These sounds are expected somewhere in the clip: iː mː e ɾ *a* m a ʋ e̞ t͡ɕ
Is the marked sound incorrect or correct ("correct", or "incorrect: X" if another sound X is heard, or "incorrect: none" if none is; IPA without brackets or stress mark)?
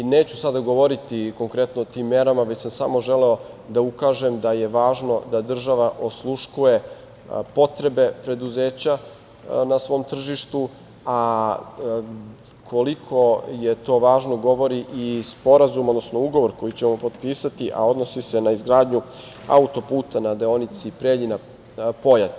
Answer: correct